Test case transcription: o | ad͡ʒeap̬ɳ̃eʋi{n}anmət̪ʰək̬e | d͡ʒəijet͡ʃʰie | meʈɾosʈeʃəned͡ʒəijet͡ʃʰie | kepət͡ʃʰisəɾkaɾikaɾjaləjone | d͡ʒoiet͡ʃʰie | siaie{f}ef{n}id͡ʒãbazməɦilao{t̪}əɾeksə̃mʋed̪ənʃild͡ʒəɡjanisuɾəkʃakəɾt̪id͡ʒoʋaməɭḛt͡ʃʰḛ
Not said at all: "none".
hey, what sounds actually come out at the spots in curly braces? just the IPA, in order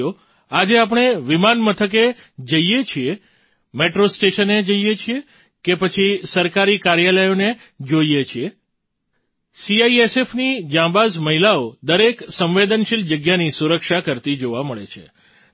m, s, n, d̪

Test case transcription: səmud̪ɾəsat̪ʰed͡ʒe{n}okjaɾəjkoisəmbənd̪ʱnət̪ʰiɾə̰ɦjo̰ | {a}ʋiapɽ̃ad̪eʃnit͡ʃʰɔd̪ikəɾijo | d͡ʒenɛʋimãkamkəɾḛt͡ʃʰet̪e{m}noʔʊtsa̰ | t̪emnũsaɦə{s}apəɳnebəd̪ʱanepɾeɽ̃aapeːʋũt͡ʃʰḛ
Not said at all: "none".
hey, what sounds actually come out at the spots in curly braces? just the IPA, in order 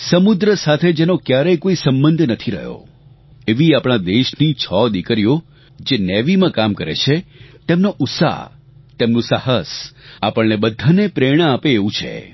n, e, m, s

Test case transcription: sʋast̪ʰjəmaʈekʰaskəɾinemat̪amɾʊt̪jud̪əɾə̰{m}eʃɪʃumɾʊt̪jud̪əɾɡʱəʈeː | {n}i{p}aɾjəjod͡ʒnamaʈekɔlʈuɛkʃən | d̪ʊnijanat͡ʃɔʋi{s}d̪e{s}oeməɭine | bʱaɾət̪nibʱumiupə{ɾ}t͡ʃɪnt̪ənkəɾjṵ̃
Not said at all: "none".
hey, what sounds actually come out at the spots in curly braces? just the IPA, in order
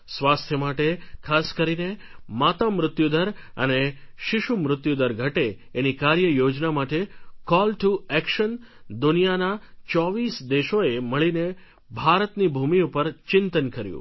n, n, k, s, ʃ, ɾ

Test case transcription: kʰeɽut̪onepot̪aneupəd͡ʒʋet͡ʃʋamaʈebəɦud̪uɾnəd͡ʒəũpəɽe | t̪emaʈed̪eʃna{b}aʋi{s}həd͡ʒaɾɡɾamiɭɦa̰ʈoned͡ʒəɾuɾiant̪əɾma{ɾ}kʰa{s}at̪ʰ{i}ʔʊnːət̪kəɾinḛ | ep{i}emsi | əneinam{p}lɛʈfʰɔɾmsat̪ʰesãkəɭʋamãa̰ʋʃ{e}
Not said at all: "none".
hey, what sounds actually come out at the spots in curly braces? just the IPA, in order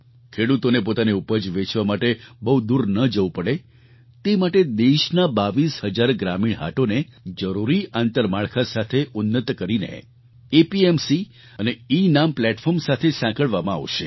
b, s, ɭ, s, e, i, p, e

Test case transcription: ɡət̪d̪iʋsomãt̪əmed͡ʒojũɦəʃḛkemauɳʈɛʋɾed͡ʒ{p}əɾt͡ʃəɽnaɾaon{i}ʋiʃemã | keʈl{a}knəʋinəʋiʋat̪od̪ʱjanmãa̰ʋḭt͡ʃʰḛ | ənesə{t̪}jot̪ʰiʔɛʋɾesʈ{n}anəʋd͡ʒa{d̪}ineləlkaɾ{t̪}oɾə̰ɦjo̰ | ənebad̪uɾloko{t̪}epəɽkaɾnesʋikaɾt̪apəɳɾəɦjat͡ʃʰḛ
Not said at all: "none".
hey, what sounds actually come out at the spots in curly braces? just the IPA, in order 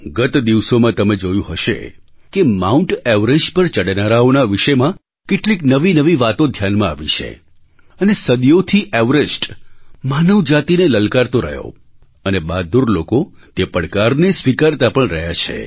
p, a, i, d̪, m, t̪, t̪, t̪

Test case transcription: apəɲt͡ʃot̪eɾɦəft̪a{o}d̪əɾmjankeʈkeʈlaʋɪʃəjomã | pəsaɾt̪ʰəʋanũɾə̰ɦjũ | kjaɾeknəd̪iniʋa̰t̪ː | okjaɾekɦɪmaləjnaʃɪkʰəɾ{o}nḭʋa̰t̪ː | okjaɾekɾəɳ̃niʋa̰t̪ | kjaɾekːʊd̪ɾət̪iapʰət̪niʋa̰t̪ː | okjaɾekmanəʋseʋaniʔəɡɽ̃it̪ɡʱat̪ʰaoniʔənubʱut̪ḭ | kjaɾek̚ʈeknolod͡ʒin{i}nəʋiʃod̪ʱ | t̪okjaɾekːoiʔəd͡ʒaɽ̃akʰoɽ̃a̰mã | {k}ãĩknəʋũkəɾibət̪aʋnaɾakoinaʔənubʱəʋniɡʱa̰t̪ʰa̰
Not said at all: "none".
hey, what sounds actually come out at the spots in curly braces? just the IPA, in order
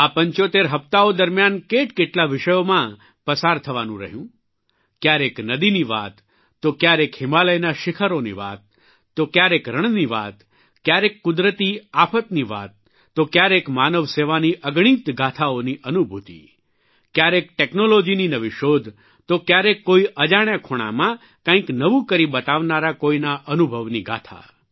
o, o, i, k

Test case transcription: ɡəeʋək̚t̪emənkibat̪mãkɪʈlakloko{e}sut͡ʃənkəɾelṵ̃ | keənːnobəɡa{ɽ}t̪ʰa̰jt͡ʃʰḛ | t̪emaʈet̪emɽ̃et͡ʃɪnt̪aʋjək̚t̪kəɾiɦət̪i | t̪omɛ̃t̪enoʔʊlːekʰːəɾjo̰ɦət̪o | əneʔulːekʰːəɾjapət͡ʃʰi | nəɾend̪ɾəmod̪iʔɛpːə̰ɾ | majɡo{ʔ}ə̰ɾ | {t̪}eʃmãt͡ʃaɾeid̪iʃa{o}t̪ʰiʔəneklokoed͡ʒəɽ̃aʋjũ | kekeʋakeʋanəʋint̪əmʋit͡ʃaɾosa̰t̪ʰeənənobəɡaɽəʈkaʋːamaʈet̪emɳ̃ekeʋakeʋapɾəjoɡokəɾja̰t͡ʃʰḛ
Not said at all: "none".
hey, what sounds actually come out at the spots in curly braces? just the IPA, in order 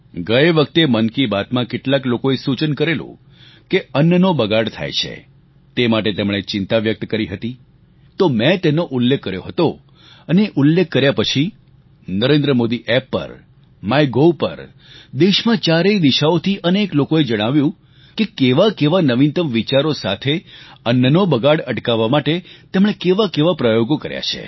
e, ɽ, p, d̪, o

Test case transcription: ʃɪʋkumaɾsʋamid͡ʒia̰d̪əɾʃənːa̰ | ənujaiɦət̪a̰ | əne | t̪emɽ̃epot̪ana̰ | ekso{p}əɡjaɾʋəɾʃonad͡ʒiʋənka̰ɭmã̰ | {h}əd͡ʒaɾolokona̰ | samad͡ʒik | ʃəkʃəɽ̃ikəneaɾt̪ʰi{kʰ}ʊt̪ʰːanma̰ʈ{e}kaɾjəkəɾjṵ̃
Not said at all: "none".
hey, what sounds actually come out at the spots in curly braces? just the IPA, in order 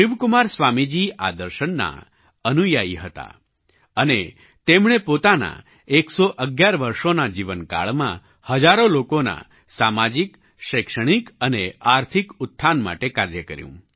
ʔ, h, k, e

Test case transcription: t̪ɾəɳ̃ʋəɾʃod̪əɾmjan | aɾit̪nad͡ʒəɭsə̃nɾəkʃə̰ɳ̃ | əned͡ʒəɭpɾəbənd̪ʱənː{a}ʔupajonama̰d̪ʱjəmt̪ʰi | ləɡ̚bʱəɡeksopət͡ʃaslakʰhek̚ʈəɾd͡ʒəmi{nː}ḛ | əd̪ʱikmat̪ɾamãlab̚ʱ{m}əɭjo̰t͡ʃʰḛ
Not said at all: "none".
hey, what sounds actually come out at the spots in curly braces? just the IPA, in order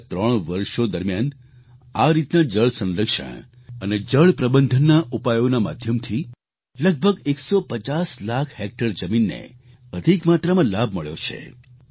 a, nː, m

